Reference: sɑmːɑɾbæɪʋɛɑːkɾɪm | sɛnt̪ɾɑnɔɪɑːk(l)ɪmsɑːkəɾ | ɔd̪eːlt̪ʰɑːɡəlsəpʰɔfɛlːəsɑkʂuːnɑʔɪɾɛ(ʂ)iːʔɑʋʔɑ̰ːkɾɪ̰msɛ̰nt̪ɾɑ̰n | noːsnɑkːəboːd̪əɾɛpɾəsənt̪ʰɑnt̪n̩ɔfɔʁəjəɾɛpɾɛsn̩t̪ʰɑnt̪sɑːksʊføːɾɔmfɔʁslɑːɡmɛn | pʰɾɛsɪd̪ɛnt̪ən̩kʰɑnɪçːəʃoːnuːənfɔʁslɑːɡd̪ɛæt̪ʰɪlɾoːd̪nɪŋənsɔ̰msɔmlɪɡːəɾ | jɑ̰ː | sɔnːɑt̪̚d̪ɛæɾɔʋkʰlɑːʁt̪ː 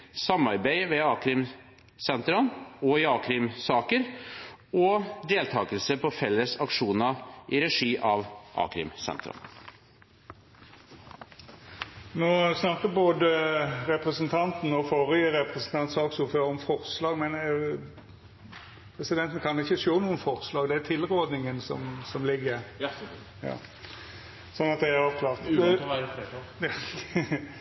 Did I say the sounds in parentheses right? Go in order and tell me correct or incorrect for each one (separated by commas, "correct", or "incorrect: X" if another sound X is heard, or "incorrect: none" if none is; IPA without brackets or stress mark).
incorrect: ɾ, correct